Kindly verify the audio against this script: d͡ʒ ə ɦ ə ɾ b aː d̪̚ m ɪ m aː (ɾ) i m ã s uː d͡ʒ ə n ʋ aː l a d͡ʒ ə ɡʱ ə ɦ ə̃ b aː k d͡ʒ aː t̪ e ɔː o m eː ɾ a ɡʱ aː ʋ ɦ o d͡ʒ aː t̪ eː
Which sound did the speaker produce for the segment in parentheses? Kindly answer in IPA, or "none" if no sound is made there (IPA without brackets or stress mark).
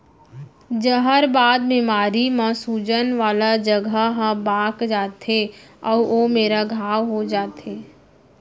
ɾ